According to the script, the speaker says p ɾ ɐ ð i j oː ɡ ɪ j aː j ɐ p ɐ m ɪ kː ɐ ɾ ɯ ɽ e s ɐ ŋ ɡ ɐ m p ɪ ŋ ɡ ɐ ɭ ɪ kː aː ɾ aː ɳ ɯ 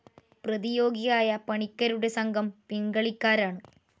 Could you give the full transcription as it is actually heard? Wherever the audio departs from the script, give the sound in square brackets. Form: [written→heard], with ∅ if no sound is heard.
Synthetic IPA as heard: p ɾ ɐ ð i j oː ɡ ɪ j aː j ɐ p ɐ [m→ɳ] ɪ kː ɐ ɾ ɯ ɽ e s ɐ ŋ ɡ ɐ m p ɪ ŋ ɡ ɐ ɭ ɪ kː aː ɾ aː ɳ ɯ